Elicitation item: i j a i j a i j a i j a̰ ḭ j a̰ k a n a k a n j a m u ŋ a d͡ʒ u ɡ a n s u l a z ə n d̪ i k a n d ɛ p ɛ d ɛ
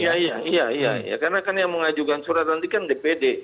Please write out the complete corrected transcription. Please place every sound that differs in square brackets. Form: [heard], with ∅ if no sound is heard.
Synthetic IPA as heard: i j a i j a i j a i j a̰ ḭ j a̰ k a n a k a n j a m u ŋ a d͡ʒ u ɡ a n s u [ɾ] a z [a] n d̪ i k a n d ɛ p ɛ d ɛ